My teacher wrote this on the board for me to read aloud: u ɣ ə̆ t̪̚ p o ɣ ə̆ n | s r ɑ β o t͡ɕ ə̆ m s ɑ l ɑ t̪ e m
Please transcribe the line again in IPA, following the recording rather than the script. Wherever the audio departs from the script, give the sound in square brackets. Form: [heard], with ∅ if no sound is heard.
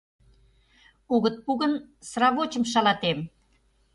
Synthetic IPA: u ɣ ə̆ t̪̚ p [u] ɣ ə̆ n | s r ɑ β o t͡ɕ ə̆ m [ʃ] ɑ l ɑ t̪ e m